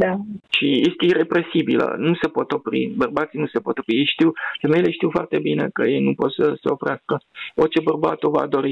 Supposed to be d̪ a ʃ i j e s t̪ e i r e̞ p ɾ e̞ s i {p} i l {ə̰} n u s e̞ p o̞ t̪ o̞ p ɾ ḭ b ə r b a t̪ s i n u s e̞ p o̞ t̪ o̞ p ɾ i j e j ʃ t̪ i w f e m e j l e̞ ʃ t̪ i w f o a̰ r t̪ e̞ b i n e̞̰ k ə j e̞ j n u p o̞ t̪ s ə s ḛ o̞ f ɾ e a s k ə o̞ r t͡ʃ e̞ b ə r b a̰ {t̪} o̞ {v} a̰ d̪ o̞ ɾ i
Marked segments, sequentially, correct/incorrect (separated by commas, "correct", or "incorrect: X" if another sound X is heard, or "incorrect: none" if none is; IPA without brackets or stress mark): incorrect: b, correct, correct, correct